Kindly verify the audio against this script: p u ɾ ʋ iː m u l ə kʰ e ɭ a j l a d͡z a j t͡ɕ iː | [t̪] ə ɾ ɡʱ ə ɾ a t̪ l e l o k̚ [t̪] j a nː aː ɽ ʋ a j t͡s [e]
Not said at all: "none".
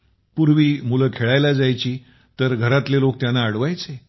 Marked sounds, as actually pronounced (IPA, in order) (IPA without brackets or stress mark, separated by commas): t̪, t̪, e